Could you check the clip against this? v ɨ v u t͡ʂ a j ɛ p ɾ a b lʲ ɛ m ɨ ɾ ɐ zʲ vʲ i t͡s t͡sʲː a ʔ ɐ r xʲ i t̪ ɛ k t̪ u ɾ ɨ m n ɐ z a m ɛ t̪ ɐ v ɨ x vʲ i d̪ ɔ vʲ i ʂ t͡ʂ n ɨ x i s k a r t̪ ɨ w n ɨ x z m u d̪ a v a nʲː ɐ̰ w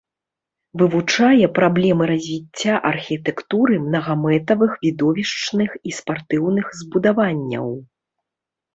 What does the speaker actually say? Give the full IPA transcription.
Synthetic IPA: v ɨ v u t͡ʂ a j ɛ p ɾ a b lʲ ɛ m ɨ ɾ ɐ zʲ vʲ i t͡s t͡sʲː a ʔ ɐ r xʲ i t̪ ɛ k t̪ u ɾ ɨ m n ɐ ɣ a m ɛ t̪ ɐ v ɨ x vʲ i d̪ ɔ vʲ i ʂ t͡ʂ n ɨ x i s p a r t̪ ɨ w n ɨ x z b u d̪ a v a nʲː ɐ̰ w